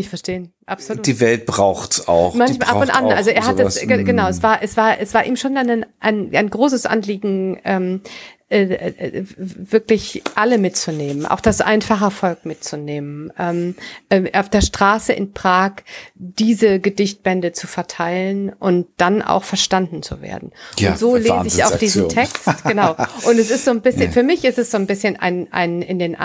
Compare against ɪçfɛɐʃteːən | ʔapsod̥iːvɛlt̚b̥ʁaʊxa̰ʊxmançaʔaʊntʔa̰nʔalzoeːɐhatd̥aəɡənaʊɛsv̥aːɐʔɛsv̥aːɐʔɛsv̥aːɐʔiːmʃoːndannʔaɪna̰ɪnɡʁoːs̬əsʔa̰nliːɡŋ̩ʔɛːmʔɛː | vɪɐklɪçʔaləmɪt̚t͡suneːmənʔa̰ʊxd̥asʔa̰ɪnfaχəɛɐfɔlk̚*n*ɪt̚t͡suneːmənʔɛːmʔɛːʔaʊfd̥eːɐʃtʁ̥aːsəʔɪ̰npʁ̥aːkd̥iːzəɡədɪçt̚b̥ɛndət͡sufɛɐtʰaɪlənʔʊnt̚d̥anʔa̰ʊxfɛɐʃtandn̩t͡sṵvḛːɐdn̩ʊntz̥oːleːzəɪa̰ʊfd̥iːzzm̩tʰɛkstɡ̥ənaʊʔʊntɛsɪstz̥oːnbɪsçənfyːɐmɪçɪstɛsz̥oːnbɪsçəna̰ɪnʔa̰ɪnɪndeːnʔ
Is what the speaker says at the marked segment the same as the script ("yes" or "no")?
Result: no